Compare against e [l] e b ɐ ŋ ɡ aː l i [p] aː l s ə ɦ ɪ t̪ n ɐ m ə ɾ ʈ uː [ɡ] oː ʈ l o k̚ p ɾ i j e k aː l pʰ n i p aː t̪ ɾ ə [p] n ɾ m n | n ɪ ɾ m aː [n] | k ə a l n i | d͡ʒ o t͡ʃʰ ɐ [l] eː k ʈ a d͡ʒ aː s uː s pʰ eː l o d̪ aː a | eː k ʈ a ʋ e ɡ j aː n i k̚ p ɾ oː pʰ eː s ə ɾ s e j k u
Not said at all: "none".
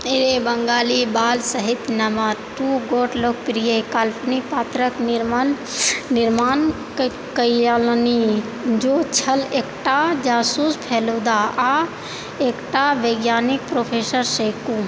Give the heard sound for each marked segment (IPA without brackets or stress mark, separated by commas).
ɾ, b, ɡ, k, n, l